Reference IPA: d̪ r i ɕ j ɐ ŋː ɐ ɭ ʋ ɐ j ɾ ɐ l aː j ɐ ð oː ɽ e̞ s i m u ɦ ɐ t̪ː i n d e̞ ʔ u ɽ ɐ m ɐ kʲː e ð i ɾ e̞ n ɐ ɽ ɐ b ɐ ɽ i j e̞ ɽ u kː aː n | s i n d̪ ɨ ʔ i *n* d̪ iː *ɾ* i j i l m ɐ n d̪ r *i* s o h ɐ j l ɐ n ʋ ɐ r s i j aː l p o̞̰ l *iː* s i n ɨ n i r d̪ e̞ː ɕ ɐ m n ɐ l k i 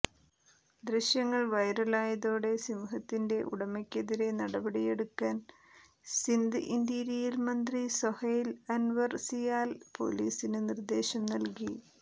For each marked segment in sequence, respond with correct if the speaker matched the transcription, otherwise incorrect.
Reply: correct, correct, correct, correct

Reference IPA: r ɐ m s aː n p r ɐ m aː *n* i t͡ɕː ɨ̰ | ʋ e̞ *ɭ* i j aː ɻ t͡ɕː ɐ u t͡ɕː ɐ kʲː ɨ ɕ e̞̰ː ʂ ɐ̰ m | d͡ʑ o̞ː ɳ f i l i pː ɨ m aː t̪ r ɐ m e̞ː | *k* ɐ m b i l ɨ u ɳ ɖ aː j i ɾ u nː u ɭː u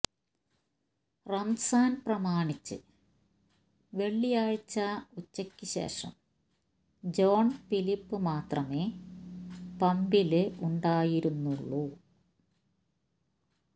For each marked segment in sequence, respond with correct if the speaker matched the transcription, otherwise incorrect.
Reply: incorrect, incorrect, incorrect

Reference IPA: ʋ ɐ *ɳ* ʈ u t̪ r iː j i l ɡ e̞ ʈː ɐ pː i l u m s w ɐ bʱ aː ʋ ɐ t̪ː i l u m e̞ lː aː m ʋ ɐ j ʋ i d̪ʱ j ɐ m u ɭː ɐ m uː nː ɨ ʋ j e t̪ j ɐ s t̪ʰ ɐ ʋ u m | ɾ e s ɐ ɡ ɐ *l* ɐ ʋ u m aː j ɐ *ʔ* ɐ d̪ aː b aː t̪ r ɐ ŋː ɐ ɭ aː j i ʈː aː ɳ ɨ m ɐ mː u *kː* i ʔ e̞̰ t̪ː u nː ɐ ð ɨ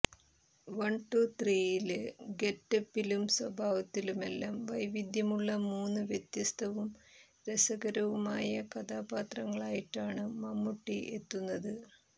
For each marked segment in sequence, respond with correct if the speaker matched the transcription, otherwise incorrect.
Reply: correct, incorrect, incorrect, incorrect

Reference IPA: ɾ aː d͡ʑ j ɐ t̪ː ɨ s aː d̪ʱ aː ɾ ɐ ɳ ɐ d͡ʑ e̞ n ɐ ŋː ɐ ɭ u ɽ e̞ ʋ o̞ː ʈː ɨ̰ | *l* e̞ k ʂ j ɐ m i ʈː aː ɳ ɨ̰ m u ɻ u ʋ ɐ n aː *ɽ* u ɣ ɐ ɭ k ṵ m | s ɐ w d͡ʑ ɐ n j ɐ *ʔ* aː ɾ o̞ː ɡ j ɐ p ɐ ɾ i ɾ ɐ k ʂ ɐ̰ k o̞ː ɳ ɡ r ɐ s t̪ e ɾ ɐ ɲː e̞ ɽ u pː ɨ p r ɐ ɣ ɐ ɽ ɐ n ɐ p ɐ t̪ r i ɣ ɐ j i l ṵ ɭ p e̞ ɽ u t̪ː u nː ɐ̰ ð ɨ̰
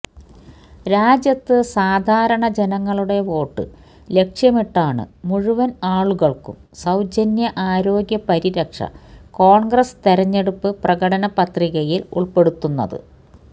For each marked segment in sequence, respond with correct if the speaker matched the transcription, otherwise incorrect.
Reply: correct, incorrect, correct

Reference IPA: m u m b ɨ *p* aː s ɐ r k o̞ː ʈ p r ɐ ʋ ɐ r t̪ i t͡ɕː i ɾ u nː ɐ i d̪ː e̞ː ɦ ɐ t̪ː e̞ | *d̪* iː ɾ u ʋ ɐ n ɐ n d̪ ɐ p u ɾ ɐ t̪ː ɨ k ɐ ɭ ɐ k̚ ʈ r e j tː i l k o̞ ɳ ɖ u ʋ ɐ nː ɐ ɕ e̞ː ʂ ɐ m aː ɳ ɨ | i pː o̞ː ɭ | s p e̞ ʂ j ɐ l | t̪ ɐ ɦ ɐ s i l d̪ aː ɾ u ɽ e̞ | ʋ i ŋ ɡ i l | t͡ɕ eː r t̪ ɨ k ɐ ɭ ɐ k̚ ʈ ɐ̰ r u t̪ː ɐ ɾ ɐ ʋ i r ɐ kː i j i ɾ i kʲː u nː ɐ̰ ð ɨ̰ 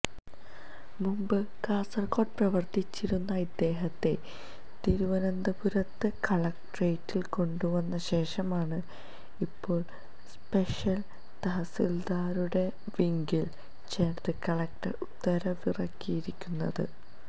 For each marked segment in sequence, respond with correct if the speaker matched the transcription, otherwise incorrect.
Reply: incorrect, incorrect

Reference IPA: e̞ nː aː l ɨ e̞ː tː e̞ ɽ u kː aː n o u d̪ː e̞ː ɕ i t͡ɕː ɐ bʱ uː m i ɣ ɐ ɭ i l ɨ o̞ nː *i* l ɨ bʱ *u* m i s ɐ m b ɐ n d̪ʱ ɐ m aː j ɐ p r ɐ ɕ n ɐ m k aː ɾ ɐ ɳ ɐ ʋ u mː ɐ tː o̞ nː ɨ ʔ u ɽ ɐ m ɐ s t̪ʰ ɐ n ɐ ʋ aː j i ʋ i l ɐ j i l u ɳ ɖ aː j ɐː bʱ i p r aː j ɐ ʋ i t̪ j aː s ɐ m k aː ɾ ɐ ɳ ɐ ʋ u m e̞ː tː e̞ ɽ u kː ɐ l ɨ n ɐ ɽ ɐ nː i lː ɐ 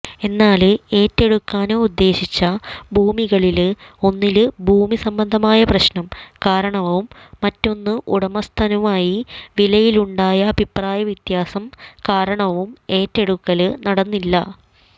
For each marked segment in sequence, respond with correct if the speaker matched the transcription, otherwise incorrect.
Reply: correct, incorrect

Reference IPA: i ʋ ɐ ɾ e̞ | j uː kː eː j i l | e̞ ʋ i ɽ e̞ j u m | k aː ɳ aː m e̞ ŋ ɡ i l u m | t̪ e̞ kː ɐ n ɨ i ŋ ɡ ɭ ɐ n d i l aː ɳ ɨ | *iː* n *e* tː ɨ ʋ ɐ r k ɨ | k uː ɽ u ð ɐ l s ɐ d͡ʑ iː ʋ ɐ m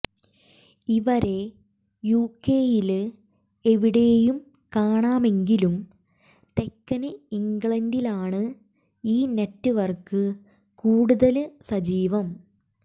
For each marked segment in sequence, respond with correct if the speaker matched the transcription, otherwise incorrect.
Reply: correct, correct

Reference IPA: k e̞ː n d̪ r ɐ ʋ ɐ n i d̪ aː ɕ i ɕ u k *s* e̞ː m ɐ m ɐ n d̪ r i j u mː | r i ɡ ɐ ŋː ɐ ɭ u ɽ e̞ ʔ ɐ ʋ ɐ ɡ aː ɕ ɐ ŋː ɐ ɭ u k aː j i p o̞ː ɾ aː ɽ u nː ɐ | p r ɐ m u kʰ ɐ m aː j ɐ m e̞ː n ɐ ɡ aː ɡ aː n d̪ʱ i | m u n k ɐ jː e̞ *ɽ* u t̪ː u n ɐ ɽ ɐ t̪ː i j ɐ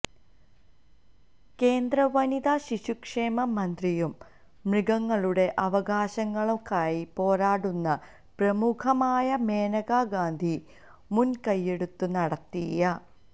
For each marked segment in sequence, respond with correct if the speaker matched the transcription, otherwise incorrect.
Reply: incorrect, correct

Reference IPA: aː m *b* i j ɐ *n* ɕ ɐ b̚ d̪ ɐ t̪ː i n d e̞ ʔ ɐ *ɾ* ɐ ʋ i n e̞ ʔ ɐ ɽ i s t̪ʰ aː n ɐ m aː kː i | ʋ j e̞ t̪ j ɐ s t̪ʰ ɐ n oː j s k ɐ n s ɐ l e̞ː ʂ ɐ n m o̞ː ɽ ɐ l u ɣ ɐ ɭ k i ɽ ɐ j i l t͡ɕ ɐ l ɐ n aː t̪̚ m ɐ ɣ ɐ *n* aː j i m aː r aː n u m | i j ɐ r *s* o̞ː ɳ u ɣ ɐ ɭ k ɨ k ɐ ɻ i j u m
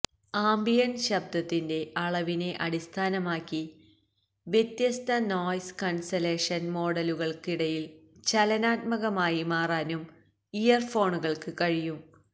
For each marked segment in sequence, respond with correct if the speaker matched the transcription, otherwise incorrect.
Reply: correct, correct, incorrect, incorrect, incorrect

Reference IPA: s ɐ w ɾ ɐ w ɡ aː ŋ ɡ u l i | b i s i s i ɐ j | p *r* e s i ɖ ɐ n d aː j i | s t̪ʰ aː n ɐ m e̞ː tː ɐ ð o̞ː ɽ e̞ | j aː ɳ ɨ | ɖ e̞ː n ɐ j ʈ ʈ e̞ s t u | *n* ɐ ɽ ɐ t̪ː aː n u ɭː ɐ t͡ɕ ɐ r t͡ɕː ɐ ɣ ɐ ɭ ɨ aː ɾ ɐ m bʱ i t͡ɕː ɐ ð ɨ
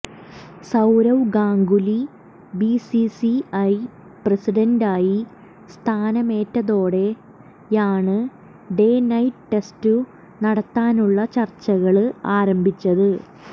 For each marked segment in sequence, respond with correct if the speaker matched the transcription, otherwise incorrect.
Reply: correct, correct

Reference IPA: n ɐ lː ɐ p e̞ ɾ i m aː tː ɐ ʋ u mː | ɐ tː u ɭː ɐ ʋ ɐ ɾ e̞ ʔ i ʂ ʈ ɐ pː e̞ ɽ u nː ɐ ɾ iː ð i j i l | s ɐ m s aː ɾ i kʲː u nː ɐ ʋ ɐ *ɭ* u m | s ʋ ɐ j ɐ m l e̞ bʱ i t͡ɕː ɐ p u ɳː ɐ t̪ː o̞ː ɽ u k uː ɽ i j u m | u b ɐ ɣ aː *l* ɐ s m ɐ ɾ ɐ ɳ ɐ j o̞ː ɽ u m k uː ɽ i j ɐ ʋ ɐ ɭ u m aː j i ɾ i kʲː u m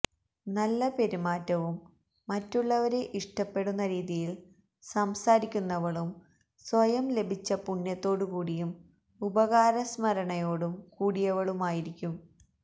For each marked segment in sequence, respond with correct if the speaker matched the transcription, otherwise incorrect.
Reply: correct, incorrect

